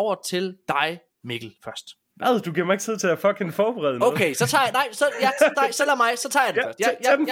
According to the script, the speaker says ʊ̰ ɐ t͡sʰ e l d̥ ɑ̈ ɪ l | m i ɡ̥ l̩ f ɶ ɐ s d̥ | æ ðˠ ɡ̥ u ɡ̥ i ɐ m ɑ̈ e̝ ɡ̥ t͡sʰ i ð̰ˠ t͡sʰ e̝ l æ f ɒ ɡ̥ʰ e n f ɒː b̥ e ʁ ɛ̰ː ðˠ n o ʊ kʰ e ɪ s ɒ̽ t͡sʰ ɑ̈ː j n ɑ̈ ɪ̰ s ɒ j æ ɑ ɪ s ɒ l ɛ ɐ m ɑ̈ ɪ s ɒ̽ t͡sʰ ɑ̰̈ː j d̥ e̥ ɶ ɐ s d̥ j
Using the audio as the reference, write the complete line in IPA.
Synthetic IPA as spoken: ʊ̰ ɐ t͡sʰ e l d̥ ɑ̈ ɪ | m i ɡ̥ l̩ f ɶ ɐ s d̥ | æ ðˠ d̥ u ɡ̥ i ɐ m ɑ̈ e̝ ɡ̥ t͡sʰ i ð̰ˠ t͡sʰ e̝ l æ f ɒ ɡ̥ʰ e n f ɒː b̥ e ʁ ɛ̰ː ðˠ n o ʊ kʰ e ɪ s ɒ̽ t͡sʰ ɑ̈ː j n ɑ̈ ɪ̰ s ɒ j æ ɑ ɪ s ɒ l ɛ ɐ m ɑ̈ ɪ s ɒ̽ t͡sʰ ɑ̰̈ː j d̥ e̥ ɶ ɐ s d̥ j